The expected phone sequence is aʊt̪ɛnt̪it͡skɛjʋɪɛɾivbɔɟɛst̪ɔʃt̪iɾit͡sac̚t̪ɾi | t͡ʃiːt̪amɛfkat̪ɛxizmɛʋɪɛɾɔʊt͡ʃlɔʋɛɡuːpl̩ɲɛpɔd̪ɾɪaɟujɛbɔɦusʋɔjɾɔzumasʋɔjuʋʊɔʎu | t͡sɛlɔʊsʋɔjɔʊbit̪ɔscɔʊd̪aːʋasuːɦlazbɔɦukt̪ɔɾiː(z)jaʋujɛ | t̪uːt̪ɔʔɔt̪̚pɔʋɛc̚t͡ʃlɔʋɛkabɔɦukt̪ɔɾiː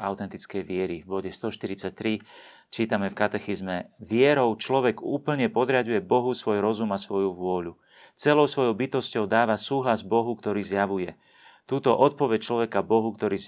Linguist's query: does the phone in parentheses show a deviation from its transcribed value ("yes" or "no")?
no